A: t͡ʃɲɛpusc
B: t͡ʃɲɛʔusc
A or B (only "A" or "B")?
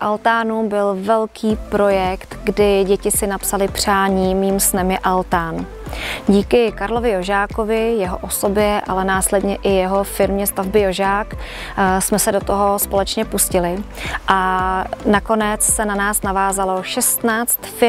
A